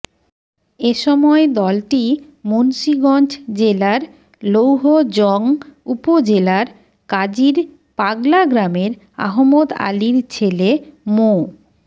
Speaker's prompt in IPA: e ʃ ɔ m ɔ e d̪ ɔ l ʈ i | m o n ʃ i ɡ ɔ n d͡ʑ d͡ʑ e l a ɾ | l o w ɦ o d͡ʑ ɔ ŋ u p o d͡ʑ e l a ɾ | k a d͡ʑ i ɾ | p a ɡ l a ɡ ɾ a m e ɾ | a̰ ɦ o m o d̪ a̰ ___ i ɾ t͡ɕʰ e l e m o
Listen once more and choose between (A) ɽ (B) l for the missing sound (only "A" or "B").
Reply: B